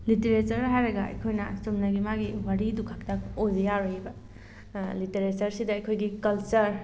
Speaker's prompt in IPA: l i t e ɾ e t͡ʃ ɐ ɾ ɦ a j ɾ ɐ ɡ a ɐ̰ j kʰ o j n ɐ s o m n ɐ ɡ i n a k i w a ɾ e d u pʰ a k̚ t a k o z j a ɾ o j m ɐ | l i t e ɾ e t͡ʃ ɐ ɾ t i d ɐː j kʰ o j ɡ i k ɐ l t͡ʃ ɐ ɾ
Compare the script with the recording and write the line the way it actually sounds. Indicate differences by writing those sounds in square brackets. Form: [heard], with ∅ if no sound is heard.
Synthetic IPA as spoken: l i t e ɾ e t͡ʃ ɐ ɾ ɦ a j ɾ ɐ ɡ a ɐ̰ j kʰ o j n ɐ s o m n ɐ ɡ i [m] a [ɡ] i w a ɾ [i] d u [kʰ] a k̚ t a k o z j a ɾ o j [b] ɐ | l i t e ɾ e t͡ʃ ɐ ɾ [s] i d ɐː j kʰ o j ɡ i k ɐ l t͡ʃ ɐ ɾ

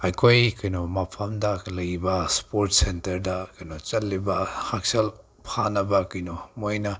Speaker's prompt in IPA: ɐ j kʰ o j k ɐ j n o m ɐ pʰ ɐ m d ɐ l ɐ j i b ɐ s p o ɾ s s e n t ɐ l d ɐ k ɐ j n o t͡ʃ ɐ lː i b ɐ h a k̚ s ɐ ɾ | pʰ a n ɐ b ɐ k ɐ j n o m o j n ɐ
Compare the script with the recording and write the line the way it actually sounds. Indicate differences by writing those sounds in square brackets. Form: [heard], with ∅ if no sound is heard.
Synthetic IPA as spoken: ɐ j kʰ o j k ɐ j n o m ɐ pʰ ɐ m d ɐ l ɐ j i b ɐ s p o ɾ [t] s e n t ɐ [ɾ] d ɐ k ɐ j n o t͡ʃ ɐ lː i b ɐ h a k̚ s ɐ [l] | pʰ a n ɐ b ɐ k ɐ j n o m o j n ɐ

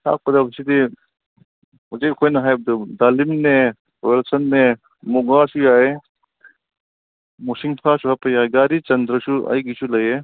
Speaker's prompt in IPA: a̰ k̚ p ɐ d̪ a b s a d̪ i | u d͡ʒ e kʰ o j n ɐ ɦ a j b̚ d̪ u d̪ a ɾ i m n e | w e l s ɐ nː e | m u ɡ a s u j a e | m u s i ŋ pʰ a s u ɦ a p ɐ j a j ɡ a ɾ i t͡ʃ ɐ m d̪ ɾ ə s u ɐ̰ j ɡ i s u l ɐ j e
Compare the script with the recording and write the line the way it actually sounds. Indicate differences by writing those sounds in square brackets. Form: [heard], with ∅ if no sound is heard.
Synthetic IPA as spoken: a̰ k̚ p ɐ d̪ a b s [i] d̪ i | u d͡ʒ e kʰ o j n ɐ ɦ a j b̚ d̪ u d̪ a [l] i m n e | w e l s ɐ nː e | m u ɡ a s u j a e | m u s i ŋ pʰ a s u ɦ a p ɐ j a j ɡ a ɾ i t͡ʃ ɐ [n] d̪ ɾ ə s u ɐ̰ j ɡ i s u l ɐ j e

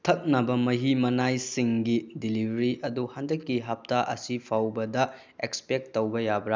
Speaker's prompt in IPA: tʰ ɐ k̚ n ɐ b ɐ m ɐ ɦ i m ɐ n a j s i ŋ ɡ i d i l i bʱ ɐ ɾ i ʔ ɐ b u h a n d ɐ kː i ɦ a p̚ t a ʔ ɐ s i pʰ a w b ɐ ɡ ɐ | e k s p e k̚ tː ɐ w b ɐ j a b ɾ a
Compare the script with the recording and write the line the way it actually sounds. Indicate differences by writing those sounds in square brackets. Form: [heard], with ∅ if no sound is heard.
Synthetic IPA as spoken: tʰ ɐ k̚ n ɐ b ɐ m ɐ ɦ i m ɐ n a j s i ŋ ɡ i d i l i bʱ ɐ ɾ i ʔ ɐ [d] u h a n d ɐ kː i ɦ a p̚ t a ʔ ɐ s i pʰ a w b ɐ [d] ɐ | e k s p e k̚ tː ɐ w b ɐ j a b ɾ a

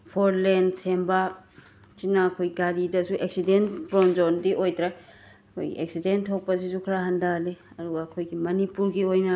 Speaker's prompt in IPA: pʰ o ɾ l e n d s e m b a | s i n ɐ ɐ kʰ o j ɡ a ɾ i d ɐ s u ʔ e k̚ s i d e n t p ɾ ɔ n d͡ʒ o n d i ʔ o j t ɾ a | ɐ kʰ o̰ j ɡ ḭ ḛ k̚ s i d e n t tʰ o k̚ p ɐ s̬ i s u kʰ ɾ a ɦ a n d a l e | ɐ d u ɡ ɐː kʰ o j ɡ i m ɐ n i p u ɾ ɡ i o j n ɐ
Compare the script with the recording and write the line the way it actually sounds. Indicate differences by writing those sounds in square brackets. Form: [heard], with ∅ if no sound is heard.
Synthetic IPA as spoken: pʰ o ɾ l e n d s e m b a | s i n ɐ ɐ kʰ o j ɡ a ɾ i d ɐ s u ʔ e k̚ s i d e n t p ɾ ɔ n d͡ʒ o n d i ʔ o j t ɾ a | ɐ kʰ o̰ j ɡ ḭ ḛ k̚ s i d e n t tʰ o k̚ p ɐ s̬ i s u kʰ ɾ a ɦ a n d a l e | ɐ d u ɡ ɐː kʰ o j ɡ i m ɐ n i p u ɾ ɡ i o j n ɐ

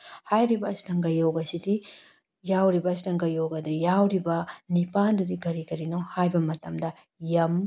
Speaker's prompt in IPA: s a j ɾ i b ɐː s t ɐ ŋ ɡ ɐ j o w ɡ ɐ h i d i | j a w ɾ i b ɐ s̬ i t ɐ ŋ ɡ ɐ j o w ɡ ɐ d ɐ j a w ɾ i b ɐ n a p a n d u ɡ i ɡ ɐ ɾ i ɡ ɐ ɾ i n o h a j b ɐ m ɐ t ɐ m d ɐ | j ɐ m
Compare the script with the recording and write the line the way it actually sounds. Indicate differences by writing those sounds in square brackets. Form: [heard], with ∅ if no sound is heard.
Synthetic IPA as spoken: [h] a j ɾ i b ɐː s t ɐ ŋ ɡ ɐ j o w ɡ ɐ [s] i d i | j a w ɾ i b ɐ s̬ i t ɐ ŋ ɡ ɐ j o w ɡ ɐ d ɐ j a w ɾ i b ɐ n [i] p a n d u [d] i ɡ ɐ ɾ i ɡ ɐ ɾ i n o h a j b ɐ m ɐ t ɐ m d ɐ | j ɐ m

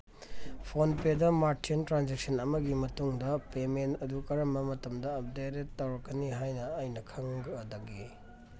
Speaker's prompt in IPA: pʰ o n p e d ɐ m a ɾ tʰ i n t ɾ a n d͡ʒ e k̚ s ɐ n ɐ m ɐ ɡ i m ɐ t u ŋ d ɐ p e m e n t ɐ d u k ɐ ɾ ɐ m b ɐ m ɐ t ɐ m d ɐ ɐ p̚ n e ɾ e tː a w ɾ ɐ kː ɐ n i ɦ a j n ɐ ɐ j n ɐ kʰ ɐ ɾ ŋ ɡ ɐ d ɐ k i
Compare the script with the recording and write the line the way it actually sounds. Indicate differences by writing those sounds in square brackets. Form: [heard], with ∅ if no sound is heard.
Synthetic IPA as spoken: pʰ o n p e d ɐ m a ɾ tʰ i n t ɾ a n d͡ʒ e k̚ s ɐ n ɐ m ɐ ɡ i m ɐ t u ŋ d ɐ p e m e n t ɐ d u k ɐ ɾ ɐ m b ɐ m ɐ t ɐ m d ɐ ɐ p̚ [d] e ɾ e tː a w ɾ ɐ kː ɐ n i ɦ a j n ɐ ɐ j n ɐ kʰ ɐ [∅] ŋ ɡ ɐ d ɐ [ɡ] i

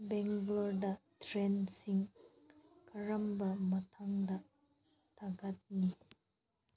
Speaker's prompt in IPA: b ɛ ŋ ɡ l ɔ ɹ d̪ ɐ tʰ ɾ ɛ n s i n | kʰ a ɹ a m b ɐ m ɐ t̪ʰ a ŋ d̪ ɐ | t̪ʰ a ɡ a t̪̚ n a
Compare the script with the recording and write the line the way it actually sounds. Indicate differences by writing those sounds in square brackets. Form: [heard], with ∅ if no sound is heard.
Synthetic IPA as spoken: b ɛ ŋ ɡ l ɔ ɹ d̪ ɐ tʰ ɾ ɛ n s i [ŋ] | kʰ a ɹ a m b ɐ m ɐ t̪ʰ a ŋ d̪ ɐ | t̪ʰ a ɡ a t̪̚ n [i]

